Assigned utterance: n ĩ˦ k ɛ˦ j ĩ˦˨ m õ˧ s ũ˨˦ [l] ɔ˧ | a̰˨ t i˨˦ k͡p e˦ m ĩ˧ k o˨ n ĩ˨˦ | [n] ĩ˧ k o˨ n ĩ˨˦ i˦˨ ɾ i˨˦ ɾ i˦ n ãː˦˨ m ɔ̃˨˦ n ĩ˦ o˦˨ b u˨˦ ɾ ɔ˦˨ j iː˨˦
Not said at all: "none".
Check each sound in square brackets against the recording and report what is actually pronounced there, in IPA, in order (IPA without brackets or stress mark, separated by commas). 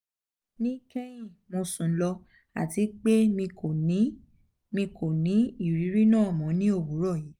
l, m